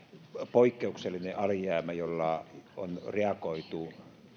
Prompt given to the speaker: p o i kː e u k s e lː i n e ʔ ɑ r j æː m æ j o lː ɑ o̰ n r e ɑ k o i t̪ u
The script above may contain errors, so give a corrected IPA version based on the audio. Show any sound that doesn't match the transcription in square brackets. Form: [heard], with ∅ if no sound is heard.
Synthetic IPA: p o i kː e u k s e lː i n e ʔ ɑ [l] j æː m æ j o lː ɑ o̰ n r e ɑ k o i t̪ u